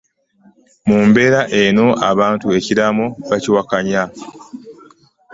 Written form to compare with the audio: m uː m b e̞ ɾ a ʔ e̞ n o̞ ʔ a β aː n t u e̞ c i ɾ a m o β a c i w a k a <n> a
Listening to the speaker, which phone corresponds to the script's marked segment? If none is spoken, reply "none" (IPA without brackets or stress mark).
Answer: ɲ